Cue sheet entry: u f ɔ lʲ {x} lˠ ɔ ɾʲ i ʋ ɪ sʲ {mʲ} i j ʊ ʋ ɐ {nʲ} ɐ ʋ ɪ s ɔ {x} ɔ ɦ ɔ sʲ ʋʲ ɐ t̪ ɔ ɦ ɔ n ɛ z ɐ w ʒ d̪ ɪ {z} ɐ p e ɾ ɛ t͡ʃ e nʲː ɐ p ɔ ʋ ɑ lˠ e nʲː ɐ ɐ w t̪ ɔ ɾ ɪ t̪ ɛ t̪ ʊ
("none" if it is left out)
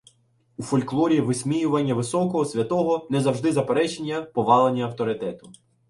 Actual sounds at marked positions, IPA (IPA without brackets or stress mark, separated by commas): k, mʲ, nʲː, k, z